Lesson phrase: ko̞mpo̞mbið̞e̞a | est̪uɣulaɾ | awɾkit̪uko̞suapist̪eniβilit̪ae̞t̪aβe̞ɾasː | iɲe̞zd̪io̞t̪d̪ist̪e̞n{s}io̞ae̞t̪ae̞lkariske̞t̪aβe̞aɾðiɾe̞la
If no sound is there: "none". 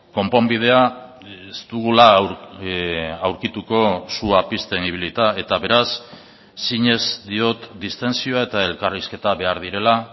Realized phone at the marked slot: s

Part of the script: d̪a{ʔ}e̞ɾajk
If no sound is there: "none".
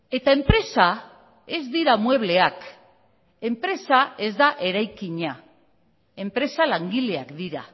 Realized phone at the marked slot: ʔ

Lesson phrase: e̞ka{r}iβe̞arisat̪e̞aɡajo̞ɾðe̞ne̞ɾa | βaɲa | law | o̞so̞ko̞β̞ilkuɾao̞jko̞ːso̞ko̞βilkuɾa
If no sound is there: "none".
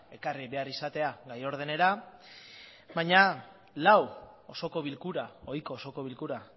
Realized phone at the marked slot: r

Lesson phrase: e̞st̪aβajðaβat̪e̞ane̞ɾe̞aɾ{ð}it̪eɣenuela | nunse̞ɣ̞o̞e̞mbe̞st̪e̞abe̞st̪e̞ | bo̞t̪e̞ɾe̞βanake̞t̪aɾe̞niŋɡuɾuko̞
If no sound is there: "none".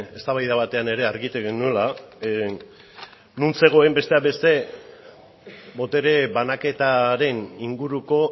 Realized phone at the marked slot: ɣ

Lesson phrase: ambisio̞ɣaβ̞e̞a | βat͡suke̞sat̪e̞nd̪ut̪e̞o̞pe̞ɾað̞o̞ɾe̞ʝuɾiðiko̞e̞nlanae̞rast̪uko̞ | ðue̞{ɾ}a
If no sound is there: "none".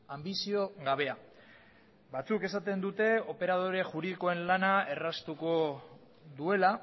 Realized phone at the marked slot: l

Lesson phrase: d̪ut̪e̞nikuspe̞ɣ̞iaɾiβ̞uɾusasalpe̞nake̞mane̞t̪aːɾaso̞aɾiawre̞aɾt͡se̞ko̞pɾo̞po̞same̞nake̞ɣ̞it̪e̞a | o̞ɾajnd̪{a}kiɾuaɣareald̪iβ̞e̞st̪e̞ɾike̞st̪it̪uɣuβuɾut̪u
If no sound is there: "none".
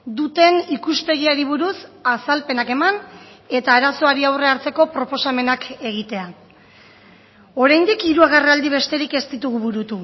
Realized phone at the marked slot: i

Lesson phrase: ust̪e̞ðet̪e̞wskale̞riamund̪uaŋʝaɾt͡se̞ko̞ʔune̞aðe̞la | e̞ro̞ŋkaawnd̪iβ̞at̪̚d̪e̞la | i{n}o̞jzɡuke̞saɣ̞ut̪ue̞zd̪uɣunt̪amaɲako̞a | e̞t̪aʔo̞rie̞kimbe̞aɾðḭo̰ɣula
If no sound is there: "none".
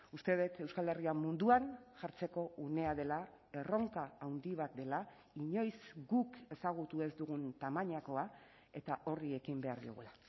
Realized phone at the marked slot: ɲ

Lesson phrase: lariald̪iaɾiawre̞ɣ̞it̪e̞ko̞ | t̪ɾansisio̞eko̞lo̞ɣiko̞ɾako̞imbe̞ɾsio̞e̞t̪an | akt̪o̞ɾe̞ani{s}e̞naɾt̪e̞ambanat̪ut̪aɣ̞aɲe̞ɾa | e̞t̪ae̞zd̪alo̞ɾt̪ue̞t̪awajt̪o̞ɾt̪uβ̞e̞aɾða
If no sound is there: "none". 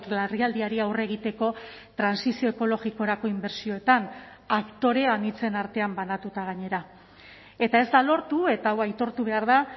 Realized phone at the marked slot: t͡s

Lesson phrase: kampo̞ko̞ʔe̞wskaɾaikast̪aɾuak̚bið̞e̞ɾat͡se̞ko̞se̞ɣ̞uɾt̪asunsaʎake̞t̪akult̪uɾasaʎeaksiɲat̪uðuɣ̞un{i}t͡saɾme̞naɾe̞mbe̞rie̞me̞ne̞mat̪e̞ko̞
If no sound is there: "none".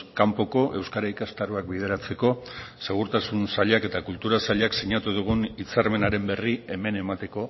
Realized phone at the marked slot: i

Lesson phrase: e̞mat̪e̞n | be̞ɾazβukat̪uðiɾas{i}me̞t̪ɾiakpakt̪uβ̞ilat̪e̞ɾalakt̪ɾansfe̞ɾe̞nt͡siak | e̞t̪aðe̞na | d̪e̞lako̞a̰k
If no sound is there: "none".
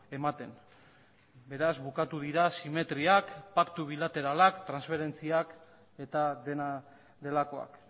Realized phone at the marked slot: i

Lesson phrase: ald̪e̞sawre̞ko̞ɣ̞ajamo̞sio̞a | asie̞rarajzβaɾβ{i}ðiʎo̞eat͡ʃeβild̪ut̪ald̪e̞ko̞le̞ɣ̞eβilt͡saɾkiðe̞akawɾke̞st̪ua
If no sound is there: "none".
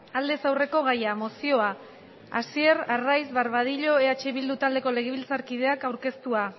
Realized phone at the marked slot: a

